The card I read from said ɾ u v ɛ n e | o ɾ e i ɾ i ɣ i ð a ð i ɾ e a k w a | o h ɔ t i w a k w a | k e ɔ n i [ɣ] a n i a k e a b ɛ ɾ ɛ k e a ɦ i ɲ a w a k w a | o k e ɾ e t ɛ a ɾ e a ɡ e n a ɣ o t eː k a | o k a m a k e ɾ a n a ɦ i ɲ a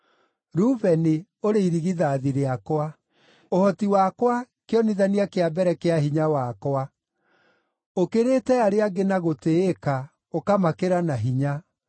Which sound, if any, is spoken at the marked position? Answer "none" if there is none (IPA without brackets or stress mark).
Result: ð